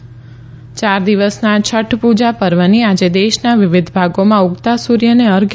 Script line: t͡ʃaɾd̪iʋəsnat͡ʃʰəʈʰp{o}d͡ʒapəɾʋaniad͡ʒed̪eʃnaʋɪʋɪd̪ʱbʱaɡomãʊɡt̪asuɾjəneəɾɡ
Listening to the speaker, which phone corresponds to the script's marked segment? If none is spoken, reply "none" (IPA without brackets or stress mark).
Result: u